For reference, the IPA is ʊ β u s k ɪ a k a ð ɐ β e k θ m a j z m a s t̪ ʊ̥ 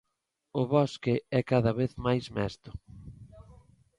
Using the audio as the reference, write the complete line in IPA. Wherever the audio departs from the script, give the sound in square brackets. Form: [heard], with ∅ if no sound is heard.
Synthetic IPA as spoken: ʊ β [ɔ] s k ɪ [ɛ] k a ð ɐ β e [∅] θ m a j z m [ɛ] s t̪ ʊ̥